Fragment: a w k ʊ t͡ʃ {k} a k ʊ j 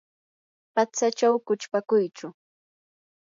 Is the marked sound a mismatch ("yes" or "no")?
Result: yes